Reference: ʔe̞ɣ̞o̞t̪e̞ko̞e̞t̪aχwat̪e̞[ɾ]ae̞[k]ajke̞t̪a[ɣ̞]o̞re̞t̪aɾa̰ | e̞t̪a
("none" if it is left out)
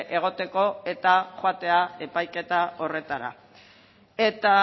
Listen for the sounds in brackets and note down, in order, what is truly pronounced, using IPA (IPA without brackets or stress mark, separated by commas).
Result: none, p, none